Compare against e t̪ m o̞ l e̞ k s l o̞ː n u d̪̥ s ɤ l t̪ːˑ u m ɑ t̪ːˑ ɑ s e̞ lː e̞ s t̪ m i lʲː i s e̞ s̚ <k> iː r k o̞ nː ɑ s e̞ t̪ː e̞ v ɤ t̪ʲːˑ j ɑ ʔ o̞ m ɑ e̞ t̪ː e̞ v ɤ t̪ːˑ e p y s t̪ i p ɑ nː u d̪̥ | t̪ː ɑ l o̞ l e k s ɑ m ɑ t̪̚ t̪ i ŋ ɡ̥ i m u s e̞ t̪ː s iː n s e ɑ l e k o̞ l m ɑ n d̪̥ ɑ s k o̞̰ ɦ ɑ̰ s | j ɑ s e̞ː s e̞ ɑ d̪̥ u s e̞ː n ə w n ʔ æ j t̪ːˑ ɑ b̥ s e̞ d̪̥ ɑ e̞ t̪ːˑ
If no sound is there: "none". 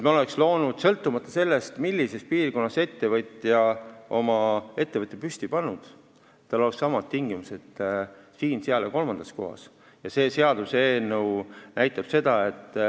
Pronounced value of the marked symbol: p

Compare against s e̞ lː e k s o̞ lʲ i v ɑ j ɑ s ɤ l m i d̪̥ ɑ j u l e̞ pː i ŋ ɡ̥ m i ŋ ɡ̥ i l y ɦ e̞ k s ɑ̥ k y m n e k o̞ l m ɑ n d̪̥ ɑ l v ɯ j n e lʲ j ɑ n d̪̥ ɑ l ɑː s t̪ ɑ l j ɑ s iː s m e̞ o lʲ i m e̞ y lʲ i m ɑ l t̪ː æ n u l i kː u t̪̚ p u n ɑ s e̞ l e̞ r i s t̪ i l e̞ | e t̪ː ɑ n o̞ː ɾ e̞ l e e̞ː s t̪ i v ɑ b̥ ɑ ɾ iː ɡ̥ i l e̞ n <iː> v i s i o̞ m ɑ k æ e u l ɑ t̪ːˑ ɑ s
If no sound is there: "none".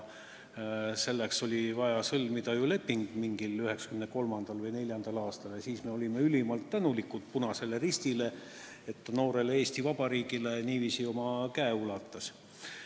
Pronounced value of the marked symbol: iː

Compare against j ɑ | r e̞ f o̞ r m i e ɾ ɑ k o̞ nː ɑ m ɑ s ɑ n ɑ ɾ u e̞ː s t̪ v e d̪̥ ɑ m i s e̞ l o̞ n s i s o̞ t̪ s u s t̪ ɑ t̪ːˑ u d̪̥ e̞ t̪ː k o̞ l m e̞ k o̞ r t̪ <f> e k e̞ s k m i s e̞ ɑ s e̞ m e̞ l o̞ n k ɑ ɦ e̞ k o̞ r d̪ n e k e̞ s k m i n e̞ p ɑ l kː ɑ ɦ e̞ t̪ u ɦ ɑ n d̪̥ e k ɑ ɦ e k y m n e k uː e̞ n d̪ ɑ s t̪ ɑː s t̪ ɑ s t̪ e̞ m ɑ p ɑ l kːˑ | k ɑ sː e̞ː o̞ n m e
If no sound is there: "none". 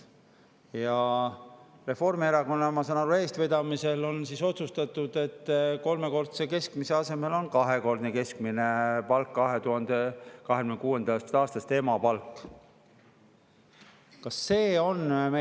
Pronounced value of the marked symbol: s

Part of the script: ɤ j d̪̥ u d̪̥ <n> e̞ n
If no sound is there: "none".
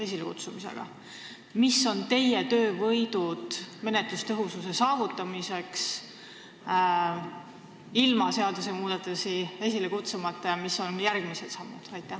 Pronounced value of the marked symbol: m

